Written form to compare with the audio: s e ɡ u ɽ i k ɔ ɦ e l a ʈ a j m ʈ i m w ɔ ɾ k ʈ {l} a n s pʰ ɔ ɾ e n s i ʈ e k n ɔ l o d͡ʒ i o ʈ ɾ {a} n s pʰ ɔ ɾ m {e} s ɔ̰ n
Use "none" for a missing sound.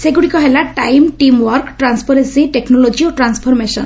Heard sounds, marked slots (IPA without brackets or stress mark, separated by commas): ɾ, a, e